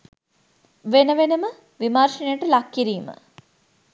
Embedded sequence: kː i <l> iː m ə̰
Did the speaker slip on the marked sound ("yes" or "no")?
yes